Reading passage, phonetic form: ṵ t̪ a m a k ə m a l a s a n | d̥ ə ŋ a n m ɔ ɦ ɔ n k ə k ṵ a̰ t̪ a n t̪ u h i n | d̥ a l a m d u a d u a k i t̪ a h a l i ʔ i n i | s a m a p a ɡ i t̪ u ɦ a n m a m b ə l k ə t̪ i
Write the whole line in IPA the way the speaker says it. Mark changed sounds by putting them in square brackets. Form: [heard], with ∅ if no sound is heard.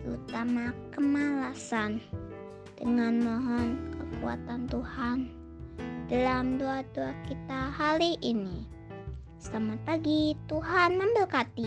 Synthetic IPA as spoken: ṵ t̪ a m a k ə m a l a s a n | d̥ ə ŋ a n m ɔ ɦ ɔ n k ə k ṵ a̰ t̪ a n t̪ u h [a] n | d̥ a l a m d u a d u a k i t̪ a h a l i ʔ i n i | s a m a p a ɡ i t̪ u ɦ a n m a m b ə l k [a] t̪ i